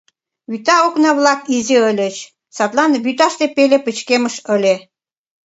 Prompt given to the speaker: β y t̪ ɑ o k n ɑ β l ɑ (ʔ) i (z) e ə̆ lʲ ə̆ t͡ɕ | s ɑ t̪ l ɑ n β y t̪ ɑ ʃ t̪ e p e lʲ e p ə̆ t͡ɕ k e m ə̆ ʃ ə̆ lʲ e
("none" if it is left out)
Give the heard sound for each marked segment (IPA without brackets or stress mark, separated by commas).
k, z